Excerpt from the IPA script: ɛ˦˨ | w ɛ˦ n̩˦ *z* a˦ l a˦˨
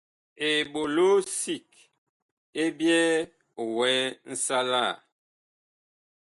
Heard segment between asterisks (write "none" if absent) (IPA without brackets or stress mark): s